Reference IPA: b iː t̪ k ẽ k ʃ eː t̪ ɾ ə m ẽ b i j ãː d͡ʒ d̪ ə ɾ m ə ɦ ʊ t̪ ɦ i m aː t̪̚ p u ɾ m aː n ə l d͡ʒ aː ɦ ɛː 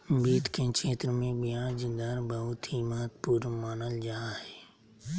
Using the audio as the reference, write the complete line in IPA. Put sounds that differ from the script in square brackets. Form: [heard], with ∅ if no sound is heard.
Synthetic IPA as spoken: b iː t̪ k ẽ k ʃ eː t̪ ɾ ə m ẽ b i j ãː d͡ʒ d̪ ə ɾ [b] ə ɦ ʊ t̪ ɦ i m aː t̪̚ p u ɾ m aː n ə l d͡ʒ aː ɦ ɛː